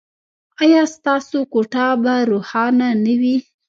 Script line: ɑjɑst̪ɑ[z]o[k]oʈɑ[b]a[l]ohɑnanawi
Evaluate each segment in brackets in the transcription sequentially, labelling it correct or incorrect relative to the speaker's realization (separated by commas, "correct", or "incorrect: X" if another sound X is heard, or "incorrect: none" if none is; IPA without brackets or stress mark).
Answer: incorrect: s, correct, correct, incorrect: ɾ